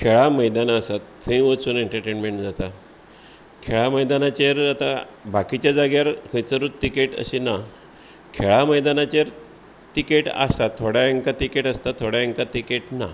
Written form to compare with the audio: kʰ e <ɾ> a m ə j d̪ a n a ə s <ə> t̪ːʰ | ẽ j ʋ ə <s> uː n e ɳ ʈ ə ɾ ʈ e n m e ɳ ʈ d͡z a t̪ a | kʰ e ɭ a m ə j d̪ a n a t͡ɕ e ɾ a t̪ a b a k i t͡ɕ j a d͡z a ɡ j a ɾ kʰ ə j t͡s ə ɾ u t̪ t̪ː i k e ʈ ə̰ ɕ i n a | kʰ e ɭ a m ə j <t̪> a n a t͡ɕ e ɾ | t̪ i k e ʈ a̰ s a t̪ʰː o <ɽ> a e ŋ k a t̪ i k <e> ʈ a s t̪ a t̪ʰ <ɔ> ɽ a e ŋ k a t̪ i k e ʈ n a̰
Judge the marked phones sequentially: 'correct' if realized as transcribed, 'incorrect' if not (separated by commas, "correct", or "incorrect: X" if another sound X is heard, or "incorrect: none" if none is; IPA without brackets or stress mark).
incorrect: ɭ, incorrect: a, incorrect: t͡s, incorrect: d̪, correct, correct, incorrect: o